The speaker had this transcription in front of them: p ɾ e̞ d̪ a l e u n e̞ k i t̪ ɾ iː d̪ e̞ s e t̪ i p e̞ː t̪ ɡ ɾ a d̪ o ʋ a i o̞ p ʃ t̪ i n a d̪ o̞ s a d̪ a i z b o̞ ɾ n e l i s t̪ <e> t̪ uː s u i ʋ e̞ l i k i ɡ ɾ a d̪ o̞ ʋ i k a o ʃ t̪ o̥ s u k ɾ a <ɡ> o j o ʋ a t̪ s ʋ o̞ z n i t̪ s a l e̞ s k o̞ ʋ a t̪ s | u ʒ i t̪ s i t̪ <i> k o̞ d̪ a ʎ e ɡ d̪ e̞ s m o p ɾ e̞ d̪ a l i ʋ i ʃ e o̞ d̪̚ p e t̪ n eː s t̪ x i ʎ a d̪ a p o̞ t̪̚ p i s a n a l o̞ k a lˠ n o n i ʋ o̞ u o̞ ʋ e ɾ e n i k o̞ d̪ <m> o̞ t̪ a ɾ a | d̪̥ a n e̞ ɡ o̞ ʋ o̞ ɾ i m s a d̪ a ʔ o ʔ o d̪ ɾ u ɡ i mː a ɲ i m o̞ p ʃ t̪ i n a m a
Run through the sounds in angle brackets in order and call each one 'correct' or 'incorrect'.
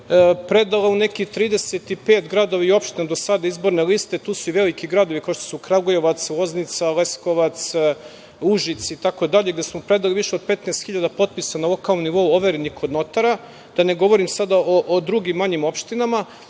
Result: correct, correct, incorrect: a, incorrect: n

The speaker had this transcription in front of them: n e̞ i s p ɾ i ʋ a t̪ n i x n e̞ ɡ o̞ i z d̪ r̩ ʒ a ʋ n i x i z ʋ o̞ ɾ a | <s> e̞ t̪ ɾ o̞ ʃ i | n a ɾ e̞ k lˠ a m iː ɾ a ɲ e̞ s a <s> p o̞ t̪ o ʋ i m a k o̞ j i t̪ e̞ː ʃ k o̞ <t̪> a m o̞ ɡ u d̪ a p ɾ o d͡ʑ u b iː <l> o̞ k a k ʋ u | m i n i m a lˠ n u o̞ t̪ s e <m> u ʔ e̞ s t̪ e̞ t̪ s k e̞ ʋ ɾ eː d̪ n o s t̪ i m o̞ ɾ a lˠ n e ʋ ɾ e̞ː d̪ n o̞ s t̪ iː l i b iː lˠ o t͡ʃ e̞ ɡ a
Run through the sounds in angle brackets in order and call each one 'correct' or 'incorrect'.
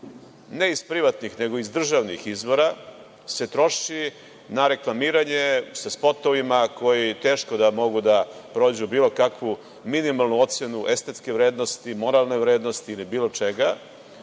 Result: correct, correct, incorrect: d̪, correct, incorrect: n

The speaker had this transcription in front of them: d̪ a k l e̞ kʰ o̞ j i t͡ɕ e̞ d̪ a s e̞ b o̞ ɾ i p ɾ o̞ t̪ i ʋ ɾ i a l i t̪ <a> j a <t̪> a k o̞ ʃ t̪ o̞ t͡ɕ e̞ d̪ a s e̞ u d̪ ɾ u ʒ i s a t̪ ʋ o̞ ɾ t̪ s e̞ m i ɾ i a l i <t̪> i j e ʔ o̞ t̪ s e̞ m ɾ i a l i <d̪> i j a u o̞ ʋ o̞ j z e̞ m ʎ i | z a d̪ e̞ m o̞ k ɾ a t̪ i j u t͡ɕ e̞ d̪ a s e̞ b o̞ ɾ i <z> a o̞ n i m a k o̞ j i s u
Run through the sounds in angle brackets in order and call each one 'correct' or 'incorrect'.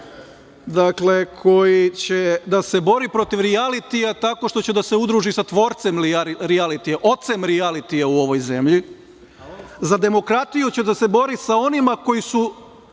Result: incorrect: i, correct, correct, incorrect: t̪, incorrect: s

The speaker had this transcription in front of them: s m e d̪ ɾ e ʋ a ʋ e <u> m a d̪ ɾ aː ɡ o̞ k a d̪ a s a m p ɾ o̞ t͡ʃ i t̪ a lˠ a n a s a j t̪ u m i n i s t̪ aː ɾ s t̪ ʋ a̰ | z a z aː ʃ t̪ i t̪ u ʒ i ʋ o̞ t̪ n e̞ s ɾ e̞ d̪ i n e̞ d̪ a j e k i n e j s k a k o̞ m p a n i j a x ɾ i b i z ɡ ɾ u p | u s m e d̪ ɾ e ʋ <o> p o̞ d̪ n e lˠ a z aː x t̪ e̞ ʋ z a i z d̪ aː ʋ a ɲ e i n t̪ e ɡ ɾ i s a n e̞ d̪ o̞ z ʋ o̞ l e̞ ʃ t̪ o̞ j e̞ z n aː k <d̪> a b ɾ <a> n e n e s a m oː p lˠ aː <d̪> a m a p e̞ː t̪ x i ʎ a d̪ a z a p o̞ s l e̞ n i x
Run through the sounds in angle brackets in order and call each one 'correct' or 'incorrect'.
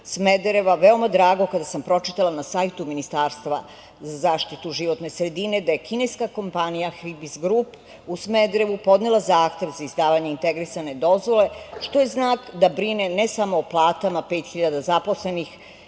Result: incorrect: o, incorrect: u, correct, incorrect: i, incorrect: t̪

